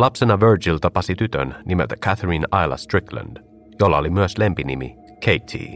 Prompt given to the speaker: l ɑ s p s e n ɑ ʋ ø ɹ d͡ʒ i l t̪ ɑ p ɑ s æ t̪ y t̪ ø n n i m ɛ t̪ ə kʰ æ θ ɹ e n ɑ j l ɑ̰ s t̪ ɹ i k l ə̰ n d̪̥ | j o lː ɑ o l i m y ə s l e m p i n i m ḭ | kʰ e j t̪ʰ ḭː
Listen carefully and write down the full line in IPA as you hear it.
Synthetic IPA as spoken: l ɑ p s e n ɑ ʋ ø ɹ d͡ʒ i l t̪ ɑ p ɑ s i t̪ y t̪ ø n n i m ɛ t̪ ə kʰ æ θ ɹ i n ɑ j l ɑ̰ s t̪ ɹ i k l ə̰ n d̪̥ | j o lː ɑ o l i m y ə s l e m p i n i m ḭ | kʰ e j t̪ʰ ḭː